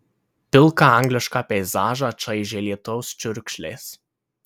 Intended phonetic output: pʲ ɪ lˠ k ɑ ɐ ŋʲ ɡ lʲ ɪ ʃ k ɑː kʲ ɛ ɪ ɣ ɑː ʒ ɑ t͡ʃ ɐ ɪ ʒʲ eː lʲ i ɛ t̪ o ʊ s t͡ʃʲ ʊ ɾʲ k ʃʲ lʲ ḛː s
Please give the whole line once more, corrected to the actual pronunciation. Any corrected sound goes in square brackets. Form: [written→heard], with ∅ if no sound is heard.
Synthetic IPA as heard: pʲ ɪ lˠ k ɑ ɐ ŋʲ ɡ lʲ ɪ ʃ k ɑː [kʲ→pʲ] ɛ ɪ [ɣ→z] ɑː ʒ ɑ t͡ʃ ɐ ɪ ʒʲ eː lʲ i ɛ t̪ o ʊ s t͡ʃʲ ʊ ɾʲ k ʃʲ lʲ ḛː s

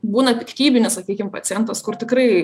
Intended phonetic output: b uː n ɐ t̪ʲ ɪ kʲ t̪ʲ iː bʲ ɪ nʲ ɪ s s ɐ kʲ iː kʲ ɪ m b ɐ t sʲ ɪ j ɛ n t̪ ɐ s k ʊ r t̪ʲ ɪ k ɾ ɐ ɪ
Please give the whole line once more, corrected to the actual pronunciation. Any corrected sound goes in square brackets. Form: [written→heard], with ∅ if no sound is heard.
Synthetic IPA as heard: b uː n ɐ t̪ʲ ɪ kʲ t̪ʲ iː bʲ ɪ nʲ ɪ s s ɐ kʲ iː kʲ ɪ m [b→p] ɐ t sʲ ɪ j ɛ n t̪ ɐ s k ʊ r t̪ʲ ɪ k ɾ ɐ ɪ

